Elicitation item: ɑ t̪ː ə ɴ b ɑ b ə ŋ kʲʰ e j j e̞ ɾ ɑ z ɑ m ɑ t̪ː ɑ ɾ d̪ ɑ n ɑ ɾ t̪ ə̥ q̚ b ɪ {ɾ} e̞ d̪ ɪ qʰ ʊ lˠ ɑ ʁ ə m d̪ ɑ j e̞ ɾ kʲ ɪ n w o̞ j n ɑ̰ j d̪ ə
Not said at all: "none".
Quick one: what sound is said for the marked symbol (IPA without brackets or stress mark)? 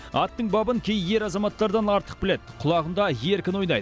l